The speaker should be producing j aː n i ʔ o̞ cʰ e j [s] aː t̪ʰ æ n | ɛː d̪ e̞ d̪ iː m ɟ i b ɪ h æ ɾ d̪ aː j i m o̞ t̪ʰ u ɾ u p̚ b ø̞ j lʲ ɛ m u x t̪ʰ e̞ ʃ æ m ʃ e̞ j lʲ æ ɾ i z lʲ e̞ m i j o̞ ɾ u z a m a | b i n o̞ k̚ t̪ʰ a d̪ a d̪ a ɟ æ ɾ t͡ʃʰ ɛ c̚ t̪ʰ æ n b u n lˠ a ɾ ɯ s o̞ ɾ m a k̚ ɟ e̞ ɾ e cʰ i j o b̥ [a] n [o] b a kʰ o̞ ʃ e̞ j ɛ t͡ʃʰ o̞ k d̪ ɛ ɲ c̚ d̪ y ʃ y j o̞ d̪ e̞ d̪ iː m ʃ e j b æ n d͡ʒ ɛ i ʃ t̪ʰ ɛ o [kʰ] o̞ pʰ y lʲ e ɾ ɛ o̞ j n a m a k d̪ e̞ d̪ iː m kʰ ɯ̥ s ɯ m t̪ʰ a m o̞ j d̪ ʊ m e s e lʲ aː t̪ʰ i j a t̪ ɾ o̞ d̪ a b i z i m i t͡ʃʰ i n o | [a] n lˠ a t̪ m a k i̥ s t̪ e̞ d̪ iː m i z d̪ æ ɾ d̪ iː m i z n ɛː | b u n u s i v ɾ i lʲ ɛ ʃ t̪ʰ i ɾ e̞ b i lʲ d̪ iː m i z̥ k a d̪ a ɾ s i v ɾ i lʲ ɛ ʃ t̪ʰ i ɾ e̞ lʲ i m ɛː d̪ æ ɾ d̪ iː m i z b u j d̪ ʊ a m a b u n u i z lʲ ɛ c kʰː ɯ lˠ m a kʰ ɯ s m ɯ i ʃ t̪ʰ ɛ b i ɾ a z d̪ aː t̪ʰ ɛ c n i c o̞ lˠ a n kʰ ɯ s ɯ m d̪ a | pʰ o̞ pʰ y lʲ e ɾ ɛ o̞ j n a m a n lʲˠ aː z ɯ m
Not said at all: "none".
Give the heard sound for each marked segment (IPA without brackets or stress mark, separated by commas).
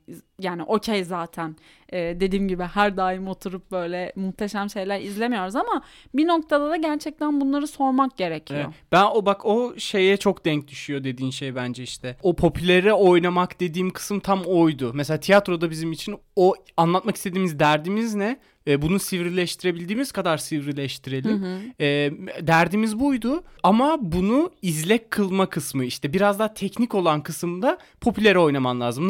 z, æ, o, pʰ, a